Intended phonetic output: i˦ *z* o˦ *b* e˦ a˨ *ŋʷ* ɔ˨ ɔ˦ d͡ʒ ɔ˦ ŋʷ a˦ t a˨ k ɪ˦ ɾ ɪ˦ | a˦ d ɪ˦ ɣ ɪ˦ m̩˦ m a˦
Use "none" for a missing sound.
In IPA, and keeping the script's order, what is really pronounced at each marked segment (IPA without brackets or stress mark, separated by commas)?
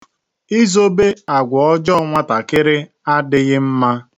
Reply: z, b, ɡʷ